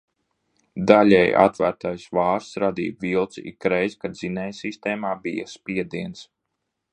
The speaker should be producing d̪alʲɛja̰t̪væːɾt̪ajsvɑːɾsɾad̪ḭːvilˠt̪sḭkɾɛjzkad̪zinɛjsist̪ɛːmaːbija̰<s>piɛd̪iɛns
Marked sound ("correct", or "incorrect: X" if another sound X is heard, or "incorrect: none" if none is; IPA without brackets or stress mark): correct